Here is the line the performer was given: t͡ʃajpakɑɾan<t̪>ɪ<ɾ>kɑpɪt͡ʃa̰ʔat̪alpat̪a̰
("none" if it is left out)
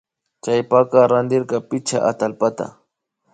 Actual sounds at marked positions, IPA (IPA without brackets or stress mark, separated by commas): d̪, ɾ